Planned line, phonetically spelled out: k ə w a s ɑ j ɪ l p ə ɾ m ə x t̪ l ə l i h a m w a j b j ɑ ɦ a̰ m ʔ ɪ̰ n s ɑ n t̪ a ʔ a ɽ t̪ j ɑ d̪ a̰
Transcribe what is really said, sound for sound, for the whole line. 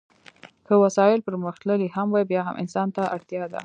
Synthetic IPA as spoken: k ə w a s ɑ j ɪ l p ə ɾ m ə x t̪ l ə l i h a m w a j b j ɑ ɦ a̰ m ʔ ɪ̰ n s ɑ n t̪ a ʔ a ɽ t̪ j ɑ d̪ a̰